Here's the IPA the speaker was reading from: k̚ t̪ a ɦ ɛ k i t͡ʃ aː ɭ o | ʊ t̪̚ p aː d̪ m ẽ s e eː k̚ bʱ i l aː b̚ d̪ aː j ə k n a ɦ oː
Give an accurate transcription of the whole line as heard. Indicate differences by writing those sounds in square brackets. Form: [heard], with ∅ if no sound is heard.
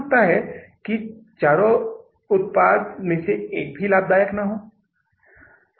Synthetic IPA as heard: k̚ t̪ a ɦ ɛ k i t͡ʃ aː [ɾ] o | ʊ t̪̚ p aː d̪ m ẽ s e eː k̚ bʱ i l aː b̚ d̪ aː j ə k n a ɦ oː